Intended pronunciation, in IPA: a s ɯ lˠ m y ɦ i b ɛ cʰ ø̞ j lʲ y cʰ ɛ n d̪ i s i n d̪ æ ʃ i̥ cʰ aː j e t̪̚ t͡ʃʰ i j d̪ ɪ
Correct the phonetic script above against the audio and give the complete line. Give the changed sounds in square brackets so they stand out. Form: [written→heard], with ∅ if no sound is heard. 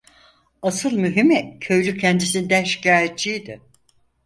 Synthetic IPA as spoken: a s ɯ lˠ m y ɦ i [b→m] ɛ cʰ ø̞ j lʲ y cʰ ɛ n d̪ i s i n d̪ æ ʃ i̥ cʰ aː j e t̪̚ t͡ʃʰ i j d̪ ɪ